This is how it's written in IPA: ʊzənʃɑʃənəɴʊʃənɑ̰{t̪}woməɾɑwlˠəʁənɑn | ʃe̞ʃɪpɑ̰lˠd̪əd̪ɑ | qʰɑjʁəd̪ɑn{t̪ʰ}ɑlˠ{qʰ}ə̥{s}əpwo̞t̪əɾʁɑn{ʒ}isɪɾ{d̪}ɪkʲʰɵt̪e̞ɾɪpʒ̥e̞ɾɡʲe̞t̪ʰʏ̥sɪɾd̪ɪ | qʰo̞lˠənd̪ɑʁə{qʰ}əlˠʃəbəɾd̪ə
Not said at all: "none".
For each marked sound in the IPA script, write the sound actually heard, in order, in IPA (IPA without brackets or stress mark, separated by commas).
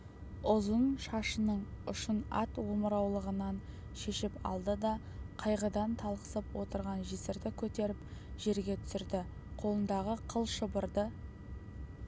t̪, t̪ʰ, q, s, ʒ, d̪, qʰ